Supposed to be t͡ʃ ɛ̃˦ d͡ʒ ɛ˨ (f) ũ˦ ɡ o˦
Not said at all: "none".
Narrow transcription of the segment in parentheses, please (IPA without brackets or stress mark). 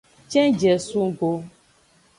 s